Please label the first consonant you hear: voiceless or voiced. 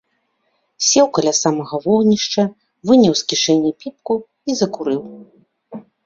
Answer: voiceless